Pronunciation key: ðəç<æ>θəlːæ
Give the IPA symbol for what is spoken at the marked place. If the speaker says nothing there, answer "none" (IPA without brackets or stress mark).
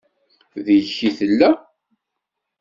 i